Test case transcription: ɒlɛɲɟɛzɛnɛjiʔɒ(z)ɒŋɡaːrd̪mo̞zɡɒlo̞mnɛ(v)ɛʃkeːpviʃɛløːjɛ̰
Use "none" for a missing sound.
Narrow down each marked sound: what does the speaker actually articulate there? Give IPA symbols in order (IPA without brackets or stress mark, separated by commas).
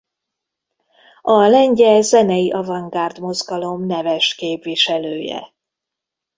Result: v, v